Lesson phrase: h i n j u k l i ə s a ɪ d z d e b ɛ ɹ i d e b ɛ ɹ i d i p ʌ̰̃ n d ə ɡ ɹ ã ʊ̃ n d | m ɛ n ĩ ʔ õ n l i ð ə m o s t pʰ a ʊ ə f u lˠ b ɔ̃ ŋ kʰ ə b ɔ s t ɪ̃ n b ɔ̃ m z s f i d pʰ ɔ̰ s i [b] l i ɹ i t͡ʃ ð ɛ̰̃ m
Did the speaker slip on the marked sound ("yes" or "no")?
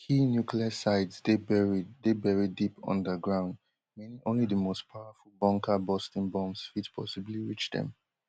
no